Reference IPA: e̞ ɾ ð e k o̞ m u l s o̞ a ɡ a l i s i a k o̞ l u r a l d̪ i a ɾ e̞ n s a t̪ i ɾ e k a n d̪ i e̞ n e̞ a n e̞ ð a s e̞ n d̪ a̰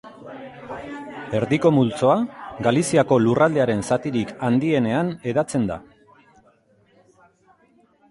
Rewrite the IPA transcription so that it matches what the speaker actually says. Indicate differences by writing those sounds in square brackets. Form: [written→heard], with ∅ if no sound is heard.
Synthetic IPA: e̞ ɾ ð [e→i] k o̞ m u l [s→t͡s] o̞ a ɡ a l i s i a k o̞ l u r a l d̪ [i→e] a ɾ e̞ n s a t̪ i ɾ [e→i] k a n d̪ i e̞ n e̞ a n e̞ ð a [s→t͡s] e̞ n d̪ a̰